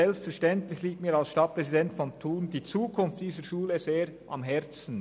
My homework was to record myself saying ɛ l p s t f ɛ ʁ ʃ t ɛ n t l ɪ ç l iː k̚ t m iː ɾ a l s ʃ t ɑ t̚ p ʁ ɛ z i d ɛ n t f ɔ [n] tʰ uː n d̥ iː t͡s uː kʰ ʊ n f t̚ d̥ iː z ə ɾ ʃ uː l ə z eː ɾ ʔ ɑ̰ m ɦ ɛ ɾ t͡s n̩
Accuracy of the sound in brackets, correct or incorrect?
correct